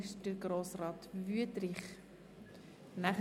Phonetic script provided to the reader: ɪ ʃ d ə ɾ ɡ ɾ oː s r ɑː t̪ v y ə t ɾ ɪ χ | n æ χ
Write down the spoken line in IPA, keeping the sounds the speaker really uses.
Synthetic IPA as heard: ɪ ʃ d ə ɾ ɡ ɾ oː s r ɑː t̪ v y ə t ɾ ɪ χ | n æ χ